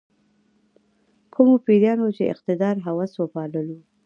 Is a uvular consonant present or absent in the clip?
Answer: present